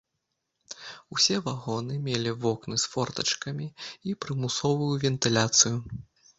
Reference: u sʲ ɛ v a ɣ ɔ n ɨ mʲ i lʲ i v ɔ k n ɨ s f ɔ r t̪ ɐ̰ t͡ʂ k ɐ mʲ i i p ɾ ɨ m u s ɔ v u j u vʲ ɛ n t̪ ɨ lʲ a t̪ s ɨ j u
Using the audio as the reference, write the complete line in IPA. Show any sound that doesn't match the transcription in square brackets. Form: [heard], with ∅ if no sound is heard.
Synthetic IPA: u sʲ ɛ v a ɣ ɔ n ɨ mʲ [e] lʲ i v ɔ k n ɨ s f ɔ r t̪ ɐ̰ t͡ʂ k ɐ mʲ i i p ɾ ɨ m u s ɔ v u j u vʲ ɛ n t̪ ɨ lʲ a t̪ s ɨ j u